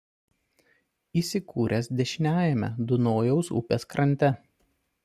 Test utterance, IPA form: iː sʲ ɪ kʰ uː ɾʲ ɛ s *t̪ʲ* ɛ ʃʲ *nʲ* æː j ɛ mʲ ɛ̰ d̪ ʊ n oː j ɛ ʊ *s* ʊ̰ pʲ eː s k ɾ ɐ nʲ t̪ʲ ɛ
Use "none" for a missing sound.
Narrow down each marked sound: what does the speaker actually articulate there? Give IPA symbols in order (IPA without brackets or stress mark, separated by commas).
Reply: d̪ʲ, nʲ, s